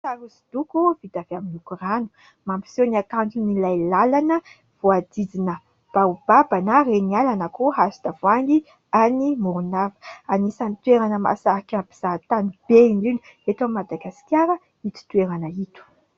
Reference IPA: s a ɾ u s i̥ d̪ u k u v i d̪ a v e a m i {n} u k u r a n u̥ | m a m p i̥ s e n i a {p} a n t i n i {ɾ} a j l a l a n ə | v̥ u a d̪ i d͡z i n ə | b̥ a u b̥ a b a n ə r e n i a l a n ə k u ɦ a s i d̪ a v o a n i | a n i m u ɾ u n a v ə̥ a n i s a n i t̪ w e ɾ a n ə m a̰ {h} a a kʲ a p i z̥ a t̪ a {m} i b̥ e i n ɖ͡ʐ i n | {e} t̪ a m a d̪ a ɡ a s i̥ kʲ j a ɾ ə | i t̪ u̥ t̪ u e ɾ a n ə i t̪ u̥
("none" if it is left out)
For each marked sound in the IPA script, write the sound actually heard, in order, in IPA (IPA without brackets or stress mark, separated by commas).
n, k, l, s, n, e